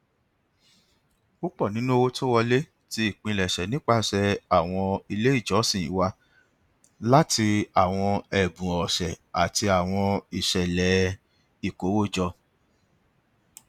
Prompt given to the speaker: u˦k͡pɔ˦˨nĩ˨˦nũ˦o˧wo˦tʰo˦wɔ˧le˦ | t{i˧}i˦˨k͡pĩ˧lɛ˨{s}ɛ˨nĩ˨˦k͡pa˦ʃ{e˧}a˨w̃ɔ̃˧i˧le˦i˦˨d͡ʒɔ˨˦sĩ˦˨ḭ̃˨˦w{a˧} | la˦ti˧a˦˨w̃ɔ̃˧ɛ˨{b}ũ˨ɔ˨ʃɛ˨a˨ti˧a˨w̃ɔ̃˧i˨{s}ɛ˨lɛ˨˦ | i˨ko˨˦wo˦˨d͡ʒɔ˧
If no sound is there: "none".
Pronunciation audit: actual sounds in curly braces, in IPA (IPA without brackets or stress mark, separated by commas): i˧, ʃ, ɛ˧, a˧, b, ʃ